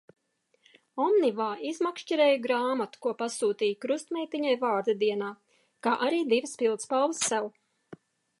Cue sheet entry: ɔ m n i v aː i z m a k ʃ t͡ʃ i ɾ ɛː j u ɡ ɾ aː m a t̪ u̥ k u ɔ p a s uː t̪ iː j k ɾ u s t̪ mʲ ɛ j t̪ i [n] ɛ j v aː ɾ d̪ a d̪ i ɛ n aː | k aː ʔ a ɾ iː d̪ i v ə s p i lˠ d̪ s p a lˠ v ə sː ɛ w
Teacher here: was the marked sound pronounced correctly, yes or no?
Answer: no